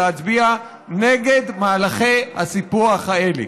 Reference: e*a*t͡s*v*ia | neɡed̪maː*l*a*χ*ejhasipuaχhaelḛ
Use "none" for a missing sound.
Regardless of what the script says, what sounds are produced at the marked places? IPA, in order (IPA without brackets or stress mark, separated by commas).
a, b, l, χ